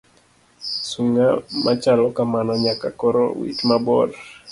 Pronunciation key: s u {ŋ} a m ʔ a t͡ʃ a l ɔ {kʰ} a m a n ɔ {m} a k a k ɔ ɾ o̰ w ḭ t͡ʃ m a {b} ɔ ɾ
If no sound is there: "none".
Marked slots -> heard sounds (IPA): ŋ, k, ɲ, b

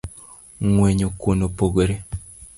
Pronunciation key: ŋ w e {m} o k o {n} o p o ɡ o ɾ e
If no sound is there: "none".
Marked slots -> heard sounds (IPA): ɲ, n

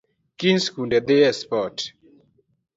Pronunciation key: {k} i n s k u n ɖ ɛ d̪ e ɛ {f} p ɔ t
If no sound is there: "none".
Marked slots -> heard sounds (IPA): k, s

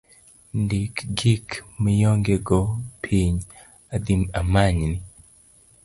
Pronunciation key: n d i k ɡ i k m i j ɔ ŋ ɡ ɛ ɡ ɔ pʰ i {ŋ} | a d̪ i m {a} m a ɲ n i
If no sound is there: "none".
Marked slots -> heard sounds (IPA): ɲ, a

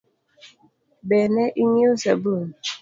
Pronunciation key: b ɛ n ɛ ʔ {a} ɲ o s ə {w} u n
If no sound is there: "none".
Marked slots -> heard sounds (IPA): i, b

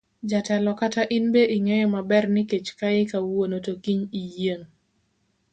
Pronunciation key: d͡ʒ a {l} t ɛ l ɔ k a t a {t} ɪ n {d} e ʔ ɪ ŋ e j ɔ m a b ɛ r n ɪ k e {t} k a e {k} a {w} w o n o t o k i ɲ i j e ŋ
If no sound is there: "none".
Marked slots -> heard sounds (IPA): none, ʔ, b, t͡ʃ, k, w

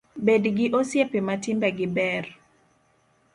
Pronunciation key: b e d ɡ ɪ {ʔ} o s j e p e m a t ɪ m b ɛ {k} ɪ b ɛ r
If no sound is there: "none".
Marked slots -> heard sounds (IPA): ʔ, ɡ

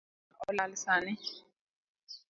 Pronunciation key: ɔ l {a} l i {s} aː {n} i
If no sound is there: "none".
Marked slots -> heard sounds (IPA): a, s, n

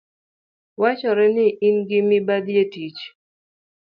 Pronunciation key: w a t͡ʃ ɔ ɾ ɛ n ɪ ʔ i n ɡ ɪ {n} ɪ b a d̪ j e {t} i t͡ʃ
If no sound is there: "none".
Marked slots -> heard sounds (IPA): m, t

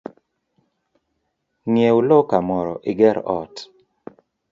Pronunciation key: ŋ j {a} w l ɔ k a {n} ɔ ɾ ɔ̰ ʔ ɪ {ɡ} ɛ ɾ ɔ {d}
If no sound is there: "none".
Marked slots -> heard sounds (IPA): e, m, ɡ, t

